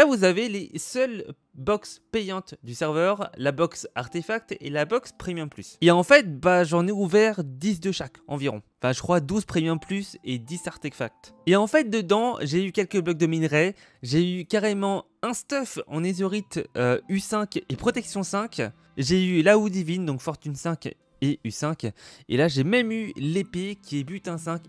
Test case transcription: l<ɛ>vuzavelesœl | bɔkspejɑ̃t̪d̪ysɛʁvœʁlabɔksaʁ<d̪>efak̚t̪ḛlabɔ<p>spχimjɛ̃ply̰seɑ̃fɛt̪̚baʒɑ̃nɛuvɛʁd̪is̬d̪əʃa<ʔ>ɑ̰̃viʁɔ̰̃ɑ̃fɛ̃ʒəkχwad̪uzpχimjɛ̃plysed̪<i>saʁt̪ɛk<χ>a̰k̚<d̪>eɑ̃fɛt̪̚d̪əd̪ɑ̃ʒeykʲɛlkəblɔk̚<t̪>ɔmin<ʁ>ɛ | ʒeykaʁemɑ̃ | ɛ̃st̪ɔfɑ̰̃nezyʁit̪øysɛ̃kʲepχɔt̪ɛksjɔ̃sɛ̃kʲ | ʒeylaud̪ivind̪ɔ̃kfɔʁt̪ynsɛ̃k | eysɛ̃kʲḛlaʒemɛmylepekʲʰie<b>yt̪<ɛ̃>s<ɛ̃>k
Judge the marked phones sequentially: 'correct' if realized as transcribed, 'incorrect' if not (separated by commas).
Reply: incorrect, incorrect, incorrect, incorrect, correct, incorrect, incorrect, incorrect, correct, correct, correct, correct